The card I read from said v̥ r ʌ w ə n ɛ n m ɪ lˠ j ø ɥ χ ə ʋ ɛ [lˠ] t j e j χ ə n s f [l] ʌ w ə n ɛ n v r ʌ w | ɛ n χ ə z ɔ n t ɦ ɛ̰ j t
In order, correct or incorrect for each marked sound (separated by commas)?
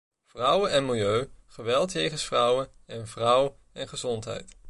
correct, incorrect